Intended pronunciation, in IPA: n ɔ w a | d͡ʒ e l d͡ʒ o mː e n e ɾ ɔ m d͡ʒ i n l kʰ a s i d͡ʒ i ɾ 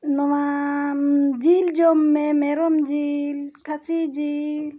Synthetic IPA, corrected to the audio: n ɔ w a | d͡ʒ i l d͡ʒ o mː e m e ɾ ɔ m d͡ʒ i l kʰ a s i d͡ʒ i l